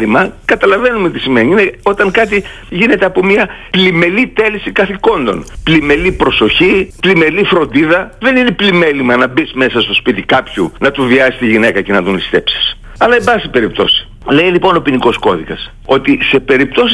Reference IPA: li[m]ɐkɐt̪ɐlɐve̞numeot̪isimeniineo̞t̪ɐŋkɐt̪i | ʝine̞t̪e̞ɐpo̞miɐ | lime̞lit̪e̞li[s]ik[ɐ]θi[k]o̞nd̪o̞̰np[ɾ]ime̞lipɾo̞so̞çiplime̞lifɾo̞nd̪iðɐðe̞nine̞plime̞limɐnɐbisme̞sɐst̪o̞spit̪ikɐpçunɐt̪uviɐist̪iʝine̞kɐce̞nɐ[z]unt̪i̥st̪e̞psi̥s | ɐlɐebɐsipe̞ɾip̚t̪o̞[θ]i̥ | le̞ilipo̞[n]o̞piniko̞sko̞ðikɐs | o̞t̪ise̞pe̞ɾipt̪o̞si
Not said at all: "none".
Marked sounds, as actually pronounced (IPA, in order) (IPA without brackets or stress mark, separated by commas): m, s, ɐ, k, l, ð, s, n